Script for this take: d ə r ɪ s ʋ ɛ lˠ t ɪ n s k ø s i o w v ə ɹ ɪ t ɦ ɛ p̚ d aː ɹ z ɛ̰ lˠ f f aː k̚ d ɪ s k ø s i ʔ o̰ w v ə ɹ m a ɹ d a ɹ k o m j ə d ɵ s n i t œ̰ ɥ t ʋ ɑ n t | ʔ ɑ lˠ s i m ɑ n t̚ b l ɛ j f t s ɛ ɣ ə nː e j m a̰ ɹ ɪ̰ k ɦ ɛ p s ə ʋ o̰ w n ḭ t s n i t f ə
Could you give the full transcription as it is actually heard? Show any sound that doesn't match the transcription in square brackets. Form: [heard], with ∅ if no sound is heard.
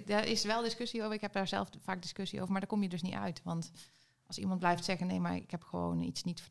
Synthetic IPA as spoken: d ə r ɪ s ʋ ɛ lˠ [d] ɪ [∅] s k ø s i o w v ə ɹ ɪ [k] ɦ ɛ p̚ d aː ɹ z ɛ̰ lˠ f f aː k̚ d ɪ s k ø s i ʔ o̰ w v ə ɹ m a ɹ d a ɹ k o m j ə d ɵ s n i t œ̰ ɥ t ʋ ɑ n t | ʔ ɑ lˠ s i m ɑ n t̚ b l ɛ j f t s ɛ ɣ ə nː e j m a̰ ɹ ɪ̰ k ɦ ɛ p [x] ə ʋ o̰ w n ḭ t s n i t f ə